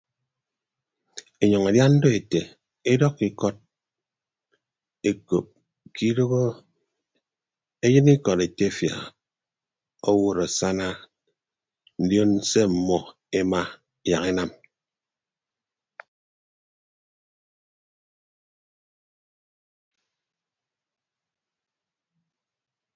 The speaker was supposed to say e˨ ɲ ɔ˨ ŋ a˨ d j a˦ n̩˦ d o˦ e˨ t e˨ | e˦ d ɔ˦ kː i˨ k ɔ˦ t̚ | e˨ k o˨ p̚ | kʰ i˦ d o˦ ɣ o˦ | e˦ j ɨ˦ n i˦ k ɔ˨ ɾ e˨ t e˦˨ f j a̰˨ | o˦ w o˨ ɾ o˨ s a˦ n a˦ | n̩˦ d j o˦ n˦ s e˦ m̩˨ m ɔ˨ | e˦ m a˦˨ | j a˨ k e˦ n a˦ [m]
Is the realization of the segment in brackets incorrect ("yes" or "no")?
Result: no